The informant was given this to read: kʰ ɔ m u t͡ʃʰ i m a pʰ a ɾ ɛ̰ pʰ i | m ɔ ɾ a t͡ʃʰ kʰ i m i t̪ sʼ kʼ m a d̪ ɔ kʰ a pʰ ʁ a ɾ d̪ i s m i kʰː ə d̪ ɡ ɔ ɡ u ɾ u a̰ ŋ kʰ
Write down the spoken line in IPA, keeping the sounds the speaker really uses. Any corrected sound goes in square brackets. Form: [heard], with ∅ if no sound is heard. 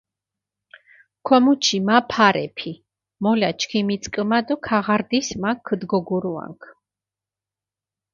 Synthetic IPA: kʰ ɔ m u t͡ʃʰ i m a pʰ a ɾ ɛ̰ pʰ i | m ɔ [l] a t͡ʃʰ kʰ i m i t̪ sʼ kʼ m a d̪ ɔ kʰ a [∅] ʁ a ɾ d̪ i s m [a] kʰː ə d̪ ɡ ɔ ɡ u ɾ u a̰ ŋ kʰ